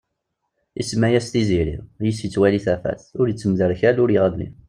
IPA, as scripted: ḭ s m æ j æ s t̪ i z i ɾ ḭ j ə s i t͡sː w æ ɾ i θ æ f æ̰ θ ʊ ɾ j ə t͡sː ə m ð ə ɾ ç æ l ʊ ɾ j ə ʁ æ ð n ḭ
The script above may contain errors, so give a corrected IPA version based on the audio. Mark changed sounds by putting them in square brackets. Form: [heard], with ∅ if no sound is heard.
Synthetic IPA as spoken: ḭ s m æ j æ s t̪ i z i ɾ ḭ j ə s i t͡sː w æ [l] i θ æ f æ̰ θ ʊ ɾ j ə t͡sː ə m ð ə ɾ ç æ l ʊ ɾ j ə ʁ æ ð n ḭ